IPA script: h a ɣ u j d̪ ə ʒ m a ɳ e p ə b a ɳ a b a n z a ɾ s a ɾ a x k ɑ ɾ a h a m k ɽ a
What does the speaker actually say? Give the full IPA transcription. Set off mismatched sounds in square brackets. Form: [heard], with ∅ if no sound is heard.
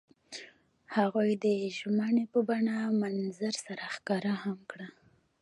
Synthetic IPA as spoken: h a ɣ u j d̪ ə ʒ m a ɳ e p ə b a ɳ a [m] a n z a ɾ s a ɾ a x k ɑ ɾ a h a m k ɽ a